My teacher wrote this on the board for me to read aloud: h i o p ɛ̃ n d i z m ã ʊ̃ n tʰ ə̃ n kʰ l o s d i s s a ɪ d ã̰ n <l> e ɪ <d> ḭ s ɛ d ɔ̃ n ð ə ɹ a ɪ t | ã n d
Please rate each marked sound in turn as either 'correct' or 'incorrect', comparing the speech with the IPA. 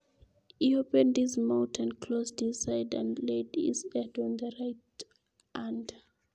correct, correct

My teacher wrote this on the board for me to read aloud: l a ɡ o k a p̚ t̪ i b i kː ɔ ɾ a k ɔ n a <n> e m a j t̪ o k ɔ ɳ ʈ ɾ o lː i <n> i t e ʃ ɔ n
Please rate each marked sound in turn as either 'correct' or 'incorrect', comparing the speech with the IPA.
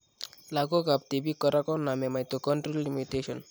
incorrect: m, incorrect: m

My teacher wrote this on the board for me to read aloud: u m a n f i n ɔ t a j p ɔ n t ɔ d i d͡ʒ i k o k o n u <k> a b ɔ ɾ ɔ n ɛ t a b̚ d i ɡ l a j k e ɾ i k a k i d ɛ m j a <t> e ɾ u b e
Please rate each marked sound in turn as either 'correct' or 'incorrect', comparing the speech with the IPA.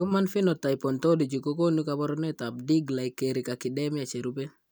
correct, incorrect: t͡ʃ

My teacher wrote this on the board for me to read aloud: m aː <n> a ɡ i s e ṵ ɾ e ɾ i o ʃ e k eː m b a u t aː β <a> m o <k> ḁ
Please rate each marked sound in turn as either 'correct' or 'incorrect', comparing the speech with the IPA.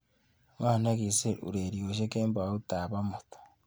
correct, correct, incorrect: t

